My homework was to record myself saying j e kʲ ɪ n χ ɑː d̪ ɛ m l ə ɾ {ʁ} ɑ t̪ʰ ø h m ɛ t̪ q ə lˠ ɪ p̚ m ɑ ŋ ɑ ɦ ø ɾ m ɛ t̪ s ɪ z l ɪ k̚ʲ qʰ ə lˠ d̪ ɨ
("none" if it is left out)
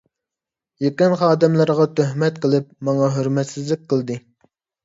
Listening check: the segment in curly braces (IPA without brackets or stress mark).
ʁ